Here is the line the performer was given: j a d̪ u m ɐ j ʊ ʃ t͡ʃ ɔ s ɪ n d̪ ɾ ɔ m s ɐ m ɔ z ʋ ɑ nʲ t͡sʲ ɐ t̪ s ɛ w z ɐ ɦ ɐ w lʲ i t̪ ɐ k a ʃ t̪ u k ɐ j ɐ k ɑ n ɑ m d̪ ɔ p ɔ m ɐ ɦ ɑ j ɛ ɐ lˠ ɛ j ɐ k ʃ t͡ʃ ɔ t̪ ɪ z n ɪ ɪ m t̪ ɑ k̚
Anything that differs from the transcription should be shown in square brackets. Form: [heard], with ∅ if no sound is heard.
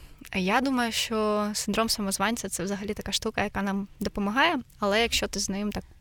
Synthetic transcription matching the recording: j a d̪ u m ɐ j ʊ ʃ t͡ʃ ɔ s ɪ n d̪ ɾ ɔ m s ɐ m ɔ z ʋ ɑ nʲ t͡sʲ ɐ t̪ s ɛ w z ɐ ɦ ɐ [∅] lʲ i t̪ ɐ k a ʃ t̪ u k ɐ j ɐ k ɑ n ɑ m d̪ ɔ p ɔ m ɐ ɦ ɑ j ɛ ɐ lˠ ɛ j ɐ k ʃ t͡ʃ ɔ t̪ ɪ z n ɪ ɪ m t̪ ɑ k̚